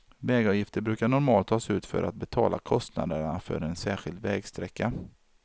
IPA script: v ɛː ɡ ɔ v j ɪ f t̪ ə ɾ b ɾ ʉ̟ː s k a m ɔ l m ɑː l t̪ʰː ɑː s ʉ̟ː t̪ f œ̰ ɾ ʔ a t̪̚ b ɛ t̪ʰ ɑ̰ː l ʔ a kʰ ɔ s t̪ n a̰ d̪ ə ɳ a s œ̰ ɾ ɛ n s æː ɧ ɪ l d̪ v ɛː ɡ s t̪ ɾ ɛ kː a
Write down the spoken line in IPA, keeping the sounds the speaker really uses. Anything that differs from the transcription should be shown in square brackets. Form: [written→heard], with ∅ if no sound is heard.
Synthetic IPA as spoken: v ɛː ɡ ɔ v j ɪ f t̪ ə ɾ b ɾ ʉ̟ː [s→∅] k a [m→ɳ] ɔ [l→ɾ] m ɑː l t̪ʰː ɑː s ʉ̟ː t̪ f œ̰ ɾ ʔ a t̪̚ b ɛ t̪ʰ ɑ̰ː l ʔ a kʰ ɔ s t̪ n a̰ d̪ ə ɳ a [s→f] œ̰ ɾ ɛ n s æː ɧ ɪ l d̪ v ɛː ɡ s t̪ ɾ ɛ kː a